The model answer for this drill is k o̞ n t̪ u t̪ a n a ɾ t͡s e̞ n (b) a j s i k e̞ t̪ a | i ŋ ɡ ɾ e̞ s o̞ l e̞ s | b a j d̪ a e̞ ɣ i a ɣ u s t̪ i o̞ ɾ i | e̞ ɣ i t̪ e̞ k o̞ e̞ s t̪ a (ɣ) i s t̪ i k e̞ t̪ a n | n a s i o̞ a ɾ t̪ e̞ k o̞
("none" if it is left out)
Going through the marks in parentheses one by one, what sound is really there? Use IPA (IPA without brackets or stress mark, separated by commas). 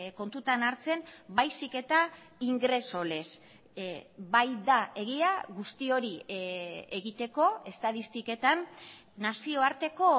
b, ð